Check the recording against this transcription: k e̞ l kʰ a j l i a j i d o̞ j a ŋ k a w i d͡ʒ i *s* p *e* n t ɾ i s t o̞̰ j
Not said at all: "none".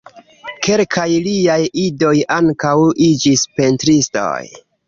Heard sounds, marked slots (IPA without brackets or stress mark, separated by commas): s, e